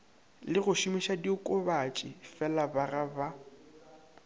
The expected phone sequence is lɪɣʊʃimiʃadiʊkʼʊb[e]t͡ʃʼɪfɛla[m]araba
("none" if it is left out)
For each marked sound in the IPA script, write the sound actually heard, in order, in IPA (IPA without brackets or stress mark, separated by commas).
a, b